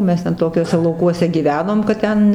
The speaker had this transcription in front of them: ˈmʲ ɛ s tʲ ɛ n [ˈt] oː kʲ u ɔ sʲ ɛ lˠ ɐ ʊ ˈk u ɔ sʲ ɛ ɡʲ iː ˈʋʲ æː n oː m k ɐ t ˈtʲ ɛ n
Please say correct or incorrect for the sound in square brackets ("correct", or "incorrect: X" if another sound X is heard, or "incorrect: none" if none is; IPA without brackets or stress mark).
correct